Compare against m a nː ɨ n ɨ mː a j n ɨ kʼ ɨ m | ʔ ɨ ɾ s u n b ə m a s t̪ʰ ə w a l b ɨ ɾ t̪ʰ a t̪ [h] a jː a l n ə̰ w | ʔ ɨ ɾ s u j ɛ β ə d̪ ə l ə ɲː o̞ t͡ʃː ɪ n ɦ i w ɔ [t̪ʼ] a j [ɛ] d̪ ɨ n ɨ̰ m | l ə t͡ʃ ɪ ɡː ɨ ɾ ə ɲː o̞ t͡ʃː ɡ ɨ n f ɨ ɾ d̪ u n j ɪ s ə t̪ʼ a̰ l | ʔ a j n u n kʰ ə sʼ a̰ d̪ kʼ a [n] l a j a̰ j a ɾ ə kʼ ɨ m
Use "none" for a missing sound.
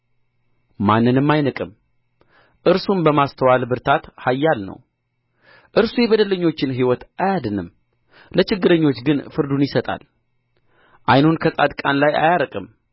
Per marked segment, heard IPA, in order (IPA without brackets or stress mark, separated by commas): h, t̪, a, n